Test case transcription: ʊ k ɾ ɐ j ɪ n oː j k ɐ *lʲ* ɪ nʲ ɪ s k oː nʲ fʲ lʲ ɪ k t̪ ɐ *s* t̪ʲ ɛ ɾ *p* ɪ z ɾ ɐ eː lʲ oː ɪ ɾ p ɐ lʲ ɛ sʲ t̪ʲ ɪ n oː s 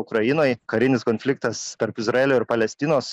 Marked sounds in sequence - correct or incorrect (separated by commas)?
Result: incorrect, correct, correct